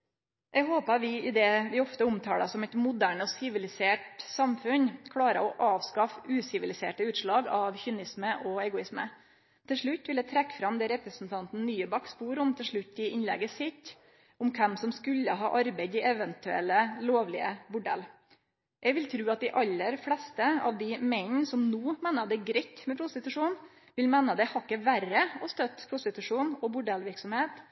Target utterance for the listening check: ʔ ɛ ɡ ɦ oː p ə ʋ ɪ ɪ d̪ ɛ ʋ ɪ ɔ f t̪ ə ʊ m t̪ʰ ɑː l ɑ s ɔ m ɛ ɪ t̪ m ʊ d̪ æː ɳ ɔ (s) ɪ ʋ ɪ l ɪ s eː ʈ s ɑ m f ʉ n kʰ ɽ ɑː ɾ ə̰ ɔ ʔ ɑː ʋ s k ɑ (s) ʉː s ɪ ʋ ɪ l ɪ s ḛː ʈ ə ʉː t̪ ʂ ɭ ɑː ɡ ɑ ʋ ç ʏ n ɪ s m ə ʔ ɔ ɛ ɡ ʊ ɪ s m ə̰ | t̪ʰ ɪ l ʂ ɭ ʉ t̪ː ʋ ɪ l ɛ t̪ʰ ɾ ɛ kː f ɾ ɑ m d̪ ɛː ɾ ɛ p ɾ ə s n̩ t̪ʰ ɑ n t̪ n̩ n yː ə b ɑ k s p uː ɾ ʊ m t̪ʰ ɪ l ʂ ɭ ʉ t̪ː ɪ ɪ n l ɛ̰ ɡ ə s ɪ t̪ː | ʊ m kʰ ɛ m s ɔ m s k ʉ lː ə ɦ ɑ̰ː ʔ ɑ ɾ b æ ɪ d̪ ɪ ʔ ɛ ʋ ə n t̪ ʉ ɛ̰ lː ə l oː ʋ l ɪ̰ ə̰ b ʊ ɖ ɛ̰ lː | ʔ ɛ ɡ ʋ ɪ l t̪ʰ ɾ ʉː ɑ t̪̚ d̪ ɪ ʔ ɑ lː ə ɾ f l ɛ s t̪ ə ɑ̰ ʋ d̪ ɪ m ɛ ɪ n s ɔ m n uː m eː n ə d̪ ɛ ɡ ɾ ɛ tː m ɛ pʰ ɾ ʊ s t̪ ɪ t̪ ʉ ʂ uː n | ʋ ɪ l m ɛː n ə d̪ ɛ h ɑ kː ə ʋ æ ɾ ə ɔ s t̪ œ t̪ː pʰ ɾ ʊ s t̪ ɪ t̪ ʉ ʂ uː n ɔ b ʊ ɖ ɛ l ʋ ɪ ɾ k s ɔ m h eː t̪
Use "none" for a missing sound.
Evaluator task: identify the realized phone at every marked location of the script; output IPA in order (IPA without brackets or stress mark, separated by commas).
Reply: s, f